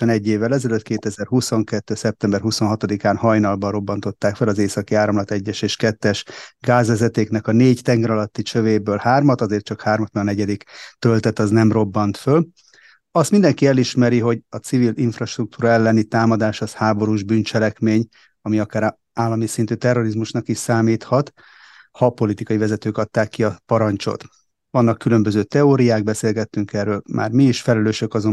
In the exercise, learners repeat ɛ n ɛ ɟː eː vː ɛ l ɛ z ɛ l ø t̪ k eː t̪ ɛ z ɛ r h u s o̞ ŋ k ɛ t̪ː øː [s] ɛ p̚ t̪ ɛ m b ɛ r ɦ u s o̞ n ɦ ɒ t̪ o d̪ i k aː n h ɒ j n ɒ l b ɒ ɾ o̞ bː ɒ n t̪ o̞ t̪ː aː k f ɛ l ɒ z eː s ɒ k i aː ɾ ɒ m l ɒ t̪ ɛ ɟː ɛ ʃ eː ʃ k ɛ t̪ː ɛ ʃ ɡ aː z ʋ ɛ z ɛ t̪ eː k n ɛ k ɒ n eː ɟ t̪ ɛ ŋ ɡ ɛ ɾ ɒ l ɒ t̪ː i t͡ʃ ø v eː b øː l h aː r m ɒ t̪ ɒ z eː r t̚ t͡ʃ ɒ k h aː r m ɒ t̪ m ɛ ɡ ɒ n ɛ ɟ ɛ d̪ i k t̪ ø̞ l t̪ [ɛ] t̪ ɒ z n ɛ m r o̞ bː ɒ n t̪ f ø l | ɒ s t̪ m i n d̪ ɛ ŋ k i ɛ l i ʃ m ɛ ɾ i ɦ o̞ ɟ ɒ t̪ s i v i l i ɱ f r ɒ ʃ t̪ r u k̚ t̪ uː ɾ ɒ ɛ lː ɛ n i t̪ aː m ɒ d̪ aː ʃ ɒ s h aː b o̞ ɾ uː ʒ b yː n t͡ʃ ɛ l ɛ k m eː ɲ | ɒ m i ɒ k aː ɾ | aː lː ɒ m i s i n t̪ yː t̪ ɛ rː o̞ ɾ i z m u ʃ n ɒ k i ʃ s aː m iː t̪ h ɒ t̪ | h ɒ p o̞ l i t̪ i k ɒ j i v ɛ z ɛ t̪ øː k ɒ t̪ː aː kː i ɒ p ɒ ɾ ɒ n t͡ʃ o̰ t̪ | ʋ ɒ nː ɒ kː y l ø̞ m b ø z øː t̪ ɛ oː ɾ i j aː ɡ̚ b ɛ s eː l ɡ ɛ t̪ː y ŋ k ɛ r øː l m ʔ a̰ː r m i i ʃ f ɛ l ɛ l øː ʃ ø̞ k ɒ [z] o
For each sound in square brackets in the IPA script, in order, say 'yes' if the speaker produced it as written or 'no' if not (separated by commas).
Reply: yes, yes, yes